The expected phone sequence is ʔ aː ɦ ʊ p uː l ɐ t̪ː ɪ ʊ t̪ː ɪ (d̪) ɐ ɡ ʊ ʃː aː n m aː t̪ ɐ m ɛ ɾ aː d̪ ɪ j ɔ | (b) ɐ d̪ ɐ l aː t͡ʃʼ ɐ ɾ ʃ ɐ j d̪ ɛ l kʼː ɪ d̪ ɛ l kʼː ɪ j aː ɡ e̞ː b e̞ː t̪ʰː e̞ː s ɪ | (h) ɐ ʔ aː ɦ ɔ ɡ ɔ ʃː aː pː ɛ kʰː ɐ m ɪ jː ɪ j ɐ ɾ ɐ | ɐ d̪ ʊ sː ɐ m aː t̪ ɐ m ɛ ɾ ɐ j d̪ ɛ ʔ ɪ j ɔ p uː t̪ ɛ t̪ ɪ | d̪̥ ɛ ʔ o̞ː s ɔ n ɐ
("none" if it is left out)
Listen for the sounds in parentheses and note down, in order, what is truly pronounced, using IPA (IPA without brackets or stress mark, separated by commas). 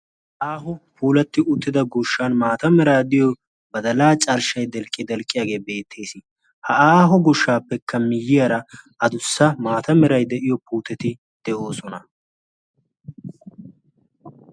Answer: d̪, b, h